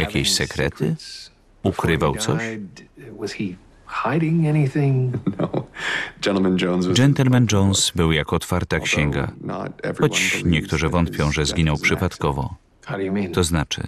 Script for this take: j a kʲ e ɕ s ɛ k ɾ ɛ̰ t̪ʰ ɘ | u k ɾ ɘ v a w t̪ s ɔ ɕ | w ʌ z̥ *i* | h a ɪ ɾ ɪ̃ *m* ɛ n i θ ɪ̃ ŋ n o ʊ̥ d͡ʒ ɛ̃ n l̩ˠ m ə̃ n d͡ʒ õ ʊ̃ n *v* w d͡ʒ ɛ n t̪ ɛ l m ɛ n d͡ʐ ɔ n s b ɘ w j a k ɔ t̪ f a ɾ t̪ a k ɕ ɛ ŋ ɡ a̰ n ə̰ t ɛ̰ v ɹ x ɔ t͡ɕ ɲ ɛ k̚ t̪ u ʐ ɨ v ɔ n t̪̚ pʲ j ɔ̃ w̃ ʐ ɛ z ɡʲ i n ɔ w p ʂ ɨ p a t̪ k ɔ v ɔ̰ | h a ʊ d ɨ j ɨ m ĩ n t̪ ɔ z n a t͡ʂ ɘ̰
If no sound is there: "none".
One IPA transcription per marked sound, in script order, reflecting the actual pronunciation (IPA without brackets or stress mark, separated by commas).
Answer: i, ŋ, z